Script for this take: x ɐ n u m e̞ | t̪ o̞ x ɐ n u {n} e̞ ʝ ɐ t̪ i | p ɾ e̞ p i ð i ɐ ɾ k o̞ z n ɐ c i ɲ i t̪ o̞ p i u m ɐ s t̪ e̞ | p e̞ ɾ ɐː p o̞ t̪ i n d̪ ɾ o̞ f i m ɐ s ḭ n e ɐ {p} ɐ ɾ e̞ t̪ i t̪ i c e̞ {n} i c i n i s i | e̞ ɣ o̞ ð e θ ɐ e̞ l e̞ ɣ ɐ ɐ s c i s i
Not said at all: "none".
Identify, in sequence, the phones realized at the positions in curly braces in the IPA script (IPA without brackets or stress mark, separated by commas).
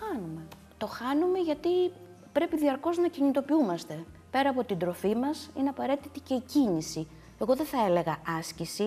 m, p, none